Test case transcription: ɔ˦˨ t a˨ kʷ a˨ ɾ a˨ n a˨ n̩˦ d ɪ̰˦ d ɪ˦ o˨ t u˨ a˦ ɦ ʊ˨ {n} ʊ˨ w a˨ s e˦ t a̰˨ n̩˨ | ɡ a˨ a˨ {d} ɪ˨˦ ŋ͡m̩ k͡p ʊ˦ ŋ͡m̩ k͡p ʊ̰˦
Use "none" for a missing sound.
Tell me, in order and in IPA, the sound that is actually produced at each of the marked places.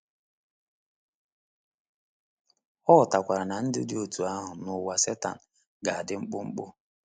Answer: n, d

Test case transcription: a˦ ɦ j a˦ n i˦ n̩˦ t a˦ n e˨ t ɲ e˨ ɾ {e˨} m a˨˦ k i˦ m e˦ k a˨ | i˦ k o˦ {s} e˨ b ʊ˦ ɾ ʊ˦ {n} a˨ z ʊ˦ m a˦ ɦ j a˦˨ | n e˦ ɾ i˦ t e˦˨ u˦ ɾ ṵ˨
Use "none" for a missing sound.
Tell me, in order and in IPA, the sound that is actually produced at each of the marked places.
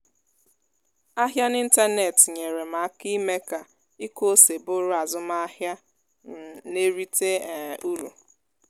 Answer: e˨, s, none

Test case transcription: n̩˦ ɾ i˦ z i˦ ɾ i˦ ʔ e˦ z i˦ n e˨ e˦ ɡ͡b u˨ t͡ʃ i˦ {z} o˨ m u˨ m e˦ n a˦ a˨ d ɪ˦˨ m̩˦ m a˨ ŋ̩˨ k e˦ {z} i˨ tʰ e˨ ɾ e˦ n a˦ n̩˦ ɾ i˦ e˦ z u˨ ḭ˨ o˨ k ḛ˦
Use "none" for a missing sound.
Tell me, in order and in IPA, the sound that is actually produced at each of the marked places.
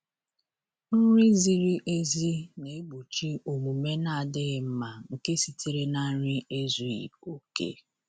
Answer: none, s

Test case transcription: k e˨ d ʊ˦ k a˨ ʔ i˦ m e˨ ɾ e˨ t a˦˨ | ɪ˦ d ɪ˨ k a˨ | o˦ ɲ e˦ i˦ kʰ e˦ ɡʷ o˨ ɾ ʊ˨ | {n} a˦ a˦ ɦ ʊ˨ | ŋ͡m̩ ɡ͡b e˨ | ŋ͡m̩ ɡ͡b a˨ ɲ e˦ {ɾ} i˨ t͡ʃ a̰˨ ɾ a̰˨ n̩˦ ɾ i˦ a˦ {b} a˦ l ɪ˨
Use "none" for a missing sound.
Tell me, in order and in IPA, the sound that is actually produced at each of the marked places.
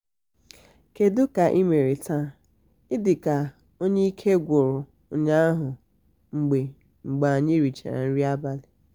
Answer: ɲ, ɾ, b

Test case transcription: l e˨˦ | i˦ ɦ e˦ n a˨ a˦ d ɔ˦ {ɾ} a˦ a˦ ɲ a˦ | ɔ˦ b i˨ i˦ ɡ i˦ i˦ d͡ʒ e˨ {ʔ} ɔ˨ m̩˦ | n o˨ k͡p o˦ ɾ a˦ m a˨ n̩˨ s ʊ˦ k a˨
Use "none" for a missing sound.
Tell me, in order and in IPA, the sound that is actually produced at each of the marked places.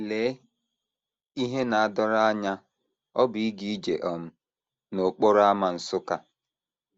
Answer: ɾ, ʔ

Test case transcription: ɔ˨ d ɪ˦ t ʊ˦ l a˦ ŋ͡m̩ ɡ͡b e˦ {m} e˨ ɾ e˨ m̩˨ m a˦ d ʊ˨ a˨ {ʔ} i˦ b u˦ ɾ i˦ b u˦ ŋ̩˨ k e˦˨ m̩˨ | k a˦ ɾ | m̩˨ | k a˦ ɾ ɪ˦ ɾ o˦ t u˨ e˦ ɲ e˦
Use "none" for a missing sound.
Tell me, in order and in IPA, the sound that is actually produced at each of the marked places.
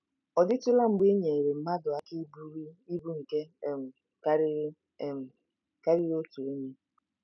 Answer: ɲ, k

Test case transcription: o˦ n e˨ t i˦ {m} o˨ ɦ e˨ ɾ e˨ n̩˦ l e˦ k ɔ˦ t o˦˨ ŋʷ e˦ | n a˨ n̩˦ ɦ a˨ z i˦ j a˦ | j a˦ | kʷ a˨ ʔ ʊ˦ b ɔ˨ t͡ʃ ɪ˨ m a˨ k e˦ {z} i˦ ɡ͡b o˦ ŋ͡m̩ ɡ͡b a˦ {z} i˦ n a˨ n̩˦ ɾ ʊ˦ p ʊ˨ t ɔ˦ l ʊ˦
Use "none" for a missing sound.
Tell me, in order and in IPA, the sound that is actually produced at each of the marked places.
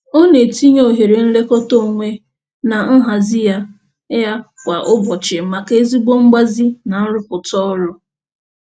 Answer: ɲ, z, z

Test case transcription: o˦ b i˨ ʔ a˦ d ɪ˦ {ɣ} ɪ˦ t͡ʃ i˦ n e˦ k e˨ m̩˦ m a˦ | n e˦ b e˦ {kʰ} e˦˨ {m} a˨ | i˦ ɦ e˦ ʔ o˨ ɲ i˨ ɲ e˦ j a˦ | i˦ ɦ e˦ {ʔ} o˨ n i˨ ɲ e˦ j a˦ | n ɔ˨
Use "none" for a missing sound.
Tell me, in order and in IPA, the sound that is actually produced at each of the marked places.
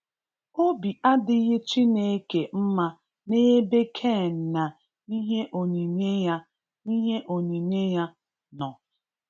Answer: ɣ, kʰ, n, ʔ

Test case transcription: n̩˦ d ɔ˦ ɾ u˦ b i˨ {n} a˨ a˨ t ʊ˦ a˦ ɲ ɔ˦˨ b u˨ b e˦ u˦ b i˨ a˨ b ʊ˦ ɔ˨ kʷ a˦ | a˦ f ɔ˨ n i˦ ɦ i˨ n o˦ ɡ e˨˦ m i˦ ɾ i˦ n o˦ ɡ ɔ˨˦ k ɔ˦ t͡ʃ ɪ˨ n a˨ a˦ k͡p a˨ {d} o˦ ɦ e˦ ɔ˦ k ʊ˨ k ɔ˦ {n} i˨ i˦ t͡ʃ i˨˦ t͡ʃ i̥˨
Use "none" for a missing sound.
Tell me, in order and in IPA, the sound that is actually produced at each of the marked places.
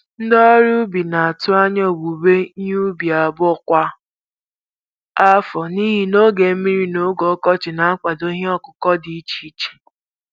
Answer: n, d, d

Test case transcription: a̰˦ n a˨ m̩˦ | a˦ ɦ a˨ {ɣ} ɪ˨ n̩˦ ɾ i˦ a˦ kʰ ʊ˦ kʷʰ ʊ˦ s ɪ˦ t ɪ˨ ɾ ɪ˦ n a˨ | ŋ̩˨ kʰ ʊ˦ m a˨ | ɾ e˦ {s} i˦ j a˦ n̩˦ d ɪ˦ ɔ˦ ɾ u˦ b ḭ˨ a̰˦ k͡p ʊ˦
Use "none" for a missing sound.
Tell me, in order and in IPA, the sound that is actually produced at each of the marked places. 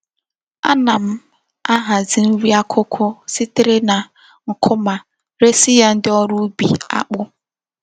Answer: z, s

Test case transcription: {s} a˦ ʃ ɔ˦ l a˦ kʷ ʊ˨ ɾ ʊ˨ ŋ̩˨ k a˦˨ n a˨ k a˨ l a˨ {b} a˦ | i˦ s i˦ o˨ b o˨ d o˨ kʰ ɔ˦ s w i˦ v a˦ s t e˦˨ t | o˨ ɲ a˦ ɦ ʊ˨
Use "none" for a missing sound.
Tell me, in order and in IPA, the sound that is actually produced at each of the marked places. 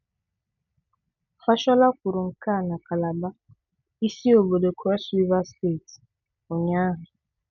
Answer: f, b

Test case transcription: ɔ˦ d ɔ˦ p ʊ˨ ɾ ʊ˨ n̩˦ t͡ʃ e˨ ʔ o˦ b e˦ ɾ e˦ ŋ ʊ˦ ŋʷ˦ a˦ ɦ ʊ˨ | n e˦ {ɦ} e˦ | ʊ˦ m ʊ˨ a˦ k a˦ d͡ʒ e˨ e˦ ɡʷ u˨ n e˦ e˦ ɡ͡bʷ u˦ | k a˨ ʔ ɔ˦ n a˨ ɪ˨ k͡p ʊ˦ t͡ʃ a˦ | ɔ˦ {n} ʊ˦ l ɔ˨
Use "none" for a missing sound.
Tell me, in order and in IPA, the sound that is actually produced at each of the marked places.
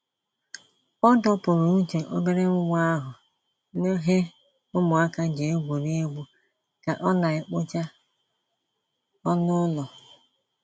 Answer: ɦ, n

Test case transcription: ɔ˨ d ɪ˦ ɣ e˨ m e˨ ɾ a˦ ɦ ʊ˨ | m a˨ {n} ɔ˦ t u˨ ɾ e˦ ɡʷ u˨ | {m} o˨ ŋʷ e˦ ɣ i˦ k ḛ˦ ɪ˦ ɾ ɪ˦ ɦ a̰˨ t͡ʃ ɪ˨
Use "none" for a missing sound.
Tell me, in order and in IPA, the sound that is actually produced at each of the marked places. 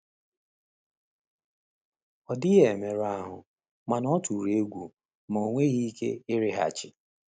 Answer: n, m

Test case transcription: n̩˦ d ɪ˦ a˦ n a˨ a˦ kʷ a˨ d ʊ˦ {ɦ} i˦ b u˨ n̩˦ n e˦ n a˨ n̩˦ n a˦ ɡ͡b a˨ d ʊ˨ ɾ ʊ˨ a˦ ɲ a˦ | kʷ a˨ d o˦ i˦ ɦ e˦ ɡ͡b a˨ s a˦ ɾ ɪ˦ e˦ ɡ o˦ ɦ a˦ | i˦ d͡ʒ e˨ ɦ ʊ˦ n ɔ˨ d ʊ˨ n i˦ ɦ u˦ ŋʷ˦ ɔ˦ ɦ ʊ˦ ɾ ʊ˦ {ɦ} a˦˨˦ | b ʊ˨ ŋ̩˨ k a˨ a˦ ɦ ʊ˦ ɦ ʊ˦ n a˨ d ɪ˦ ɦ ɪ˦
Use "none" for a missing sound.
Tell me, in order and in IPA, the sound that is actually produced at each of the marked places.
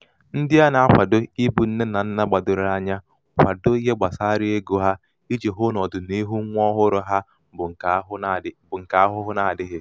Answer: none, ɦ

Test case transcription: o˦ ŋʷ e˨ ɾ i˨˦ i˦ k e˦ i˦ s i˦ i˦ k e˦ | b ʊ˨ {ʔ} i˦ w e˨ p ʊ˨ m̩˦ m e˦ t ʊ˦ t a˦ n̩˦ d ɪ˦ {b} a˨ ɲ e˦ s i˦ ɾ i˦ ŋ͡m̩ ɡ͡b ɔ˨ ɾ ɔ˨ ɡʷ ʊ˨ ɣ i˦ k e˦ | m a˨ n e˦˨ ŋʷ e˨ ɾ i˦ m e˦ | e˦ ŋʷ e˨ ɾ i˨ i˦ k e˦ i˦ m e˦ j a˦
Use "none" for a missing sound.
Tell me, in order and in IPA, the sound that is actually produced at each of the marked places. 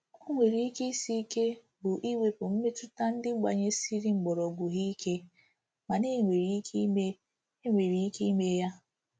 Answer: ʔ, ɡ͡b

